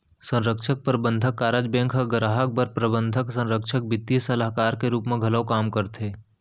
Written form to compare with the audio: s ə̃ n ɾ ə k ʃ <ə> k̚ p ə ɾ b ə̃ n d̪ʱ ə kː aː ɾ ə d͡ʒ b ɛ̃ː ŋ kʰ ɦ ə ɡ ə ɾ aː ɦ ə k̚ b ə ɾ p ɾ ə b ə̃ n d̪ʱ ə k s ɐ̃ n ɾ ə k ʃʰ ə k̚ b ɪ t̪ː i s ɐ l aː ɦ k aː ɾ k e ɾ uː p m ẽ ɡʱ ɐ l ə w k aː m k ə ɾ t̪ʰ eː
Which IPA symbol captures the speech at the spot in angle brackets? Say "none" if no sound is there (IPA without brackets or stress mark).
ə